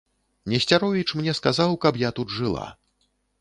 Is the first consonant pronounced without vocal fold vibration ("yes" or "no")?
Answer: no